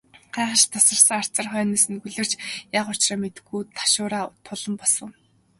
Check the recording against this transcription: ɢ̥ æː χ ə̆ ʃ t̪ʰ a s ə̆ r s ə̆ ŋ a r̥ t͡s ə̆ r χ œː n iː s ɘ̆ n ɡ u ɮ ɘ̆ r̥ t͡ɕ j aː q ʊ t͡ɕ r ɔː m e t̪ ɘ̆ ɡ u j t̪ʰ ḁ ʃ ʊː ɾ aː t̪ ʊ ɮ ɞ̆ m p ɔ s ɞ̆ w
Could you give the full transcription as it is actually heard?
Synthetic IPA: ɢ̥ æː χ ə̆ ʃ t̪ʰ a s ə̆ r s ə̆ ŋ a r̥ t͡s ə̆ r χ œː n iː s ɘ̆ n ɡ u ɮ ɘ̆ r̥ t͡ɕ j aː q ʊ t͡ɕ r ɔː m e t̪ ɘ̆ ɡ u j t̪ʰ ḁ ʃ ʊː ɾ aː t̪ʰ ʊ ɮ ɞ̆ m p ɔ s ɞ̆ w